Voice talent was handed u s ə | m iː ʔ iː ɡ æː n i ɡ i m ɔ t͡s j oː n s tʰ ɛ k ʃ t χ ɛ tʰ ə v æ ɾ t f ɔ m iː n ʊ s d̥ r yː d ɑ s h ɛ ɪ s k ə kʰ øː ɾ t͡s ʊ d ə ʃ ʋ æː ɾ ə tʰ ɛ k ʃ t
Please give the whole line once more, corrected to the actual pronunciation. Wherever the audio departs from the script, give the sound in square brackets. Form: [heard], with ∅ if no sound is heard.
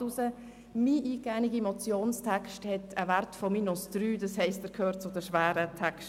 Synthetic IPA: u s ə | m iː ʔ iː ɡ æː n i ɡ i m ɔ t͡s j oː n s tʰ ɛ k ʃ t [h] ɛ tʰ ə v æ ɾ t f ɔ m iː n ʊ s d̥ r yː d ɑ s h ɛ ɪ s [t] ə kʰ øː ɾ t͡s ʊ d ə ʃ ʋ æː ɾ ə tʰ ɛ k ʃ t